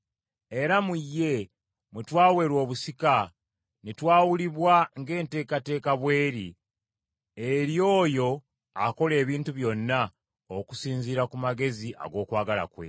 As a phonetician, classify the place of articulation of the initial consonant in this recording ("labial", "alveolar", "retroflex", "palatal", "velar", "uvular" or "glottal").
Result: alveolar